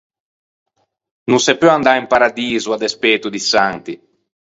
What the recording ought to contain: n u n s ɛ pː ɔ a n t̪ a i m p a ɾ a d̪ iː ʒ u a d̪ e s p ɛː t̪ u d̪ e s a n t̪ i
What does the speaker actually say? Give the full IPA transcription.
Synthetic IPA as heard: n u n s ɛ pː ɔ a n d̪ a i m p a ɾ a d̪ iː z u a d̪ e s p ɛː t̪ u d̪ i s a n t̪ i